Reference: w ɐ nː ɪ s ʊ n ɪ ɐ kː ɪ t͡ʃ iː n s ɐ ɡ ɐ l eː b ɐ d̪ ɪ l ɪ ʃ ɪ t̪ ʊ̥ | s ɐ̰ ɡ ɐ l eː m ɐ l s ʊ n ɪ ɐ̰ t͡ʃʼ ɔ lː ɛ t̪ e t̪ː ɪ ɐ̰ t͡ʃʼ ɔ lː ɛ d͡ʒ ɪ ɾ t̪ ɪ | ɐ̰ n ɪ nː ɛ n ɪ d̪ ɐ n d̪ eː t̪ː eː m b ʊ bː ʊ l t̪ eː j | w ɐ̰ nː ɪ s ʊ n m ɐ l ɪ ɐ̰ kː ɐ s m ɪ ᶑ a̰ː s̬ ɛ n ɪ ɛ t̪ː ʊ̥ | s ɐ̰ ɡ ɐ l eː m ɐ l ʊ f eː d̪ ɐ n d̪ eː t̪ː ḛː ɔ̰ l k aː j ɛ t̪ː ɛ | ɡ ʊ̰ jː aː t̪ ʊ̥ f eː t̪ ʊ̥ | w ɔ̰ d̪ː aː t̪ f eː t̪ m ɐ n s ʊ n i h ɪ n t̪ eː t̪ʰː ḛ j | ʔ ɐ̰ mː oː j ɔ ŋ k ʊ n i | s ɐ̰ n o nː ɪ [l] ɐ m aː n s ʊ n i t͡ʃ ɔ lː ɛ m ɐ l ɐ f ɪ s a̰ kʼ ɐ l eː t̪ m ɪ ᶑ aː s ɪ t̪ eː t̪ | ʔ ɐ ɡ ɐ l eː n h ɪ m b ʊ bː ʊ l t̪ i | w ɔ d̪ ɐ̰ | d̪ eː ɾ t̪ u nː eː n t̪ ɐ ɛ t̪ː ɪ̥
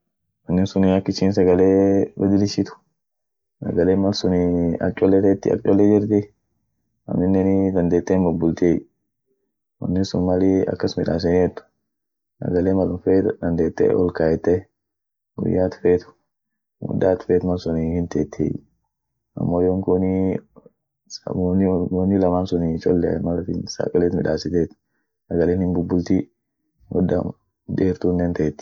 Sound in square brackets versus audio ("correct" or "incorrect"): correct